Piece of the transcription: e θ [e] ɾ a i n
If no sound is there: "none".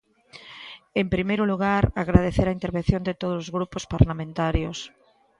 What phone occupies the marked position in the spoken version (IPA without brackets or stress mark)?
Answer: e